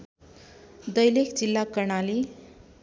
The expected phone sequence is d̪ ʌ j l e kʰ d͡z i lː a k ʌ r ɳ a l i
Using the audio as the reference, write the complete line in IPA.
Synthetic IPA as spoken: d̪ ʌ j l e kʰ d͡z i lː a k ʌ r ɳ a l i

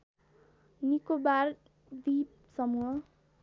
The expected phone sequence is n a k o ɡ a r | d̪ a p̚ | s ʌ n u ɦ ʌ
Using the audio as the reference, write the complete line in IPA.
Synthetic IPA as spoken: n i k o b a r | d̪ i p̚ | s ʌ m u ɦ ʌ

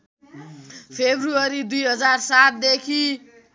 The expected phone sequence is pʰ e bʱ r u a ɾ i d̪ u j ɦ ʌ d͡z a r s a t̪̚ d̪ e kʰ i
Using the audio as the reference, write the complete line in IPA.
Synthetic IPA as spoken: pʰ e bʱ r u ʌ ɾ i d̪ u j ɦ ʌ d͡z a r s a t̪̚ d̪ e kʰ i

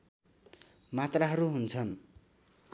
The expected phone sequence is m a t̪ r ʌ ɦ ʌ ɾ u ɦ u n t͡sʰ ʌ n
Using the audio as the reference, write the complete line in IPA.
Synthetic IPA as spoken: m a t̪ r a ɦ ʌ ɾ u ɦ u n t͡sʰ ʌ n

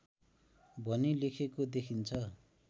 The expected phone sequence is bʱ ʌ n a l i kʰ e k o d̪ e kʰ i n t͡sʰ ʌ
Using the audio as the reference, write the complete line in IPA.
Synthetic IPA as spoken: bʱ ʌ n i l e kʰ e k o d̪ e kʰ i n t͡sʰ ʌ

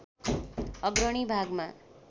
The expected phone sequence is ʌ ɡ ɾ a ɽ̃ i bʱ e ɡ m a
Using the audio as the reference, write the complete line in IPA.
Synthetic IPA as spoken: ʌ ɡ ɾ ʌ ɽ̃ i bʱ a ɡ m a

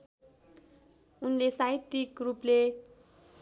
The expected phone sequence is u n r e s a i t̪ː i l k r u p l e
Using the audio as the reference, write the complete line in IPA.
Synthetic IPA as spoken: u n l e s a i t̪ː i k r u p l e

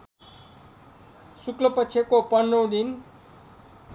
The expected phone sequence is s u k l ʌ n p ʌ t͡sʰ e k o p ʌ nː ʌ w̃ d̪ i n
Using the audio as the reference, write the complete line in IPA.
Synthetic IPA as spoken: s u k l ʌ p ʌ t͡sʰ e k o p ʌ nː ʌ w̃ d̪ i n

